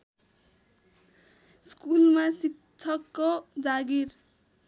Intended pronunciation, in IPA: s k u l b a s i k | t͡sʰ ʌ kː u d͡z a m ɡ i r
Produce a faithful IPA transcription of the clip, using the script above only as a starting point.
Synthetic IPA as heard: s k u l m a s i k | t͡sʰ ʌ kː o d͡z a ɡ i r